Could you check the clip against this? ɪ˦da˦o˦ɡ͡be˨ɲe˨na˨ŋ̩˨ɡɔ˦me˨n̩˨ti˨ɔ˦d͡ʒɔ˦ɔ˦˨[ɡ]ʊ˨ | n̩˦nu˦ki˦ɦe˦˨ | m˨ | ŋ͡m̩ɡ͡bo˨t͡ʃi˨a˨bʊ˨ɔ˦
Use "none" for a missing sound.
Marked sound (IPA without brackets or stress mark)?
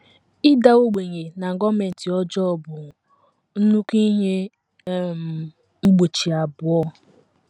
b